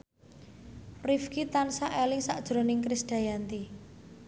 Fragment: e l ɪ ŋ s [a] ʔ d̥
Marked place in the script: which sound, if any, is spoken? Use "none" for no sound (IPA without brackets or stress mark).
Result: a